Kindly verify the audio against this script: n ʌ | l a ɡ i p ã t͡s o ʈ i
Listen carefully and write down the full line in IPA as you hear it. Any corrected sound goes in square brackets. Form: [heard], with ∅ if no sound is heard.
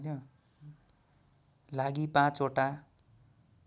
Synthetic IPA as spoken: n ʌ | l a ɡ i p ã t͡s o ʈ [a]